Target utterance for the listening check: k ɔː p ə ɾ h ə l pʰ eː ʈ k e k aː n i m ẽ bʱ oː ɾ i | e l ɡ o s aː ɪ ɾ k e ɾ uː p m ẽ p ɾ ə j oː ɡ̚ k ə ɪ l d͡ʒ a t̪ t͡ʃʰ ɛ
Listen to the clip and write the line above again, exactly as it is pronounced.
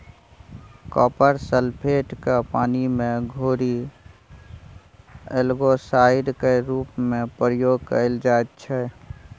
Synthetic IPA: k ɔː p ə ɾ s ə l pʰ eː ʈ k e p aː n i m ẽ ɡʱ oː ɾ i | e l ɡ o s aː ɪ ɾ k e ɾ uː p m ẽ p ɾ ə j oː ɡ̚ k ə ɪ l d͡ʒ a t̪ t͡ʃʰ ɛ

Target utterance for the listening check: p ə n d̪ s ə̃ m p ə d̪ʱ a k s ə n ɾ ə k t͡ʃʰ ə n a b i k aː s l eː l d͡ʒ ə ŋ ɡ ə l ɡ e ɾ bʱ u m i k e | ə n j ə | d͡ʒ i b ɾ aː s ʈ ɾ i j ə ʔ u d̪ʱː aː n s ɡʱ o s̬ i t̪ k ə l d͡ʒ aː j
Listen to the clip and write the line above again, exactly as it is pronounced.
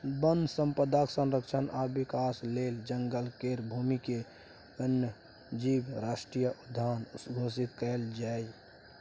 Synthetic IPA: b ə n d̪ s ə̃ m p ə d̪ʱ a k s ə n ɾ ə k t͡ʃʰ ə n a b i k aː s l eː l d͡ʒ ə ŋ ɡ ə l k e ɾ bʱ u m i k e | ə n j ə | d͡ʒ i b ɾ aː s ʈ ɾ i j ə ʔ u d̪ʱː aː n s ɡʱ o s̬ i t̪ k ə l d͡ʒ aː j

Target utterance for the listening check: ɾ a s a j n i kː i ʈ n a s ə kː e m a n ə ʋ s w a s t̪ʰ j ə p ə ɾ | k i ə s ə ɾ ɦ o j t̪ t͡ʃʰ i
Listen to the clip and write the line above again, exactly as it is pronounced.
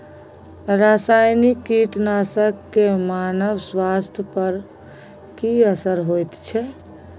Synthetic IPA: ɾ a s a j n i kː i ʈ n a s ə kː e m a n ə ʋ s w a s t̪ʰ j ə p ə ɾ | k i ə s ə ɾ ɦ o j t̪ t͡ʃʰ ɛ

